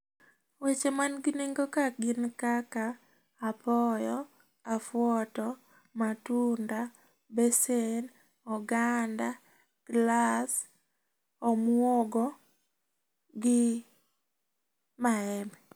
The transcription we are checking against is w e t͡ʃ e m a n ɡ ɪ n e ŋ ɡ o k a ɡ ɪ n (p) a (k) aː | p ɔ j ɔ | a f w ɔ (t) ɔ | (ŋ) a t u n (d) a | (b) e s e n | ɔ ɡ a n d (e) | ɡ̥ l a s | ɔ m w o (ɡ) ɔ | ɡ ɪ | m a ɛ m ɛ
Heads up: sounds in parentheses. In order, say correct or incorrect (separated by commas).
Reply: incorrect, correct, correct, incorrect, correct, correct, incorrect, correct